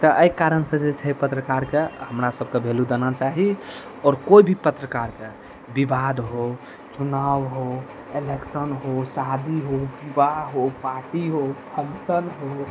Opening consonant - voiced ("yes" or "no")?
no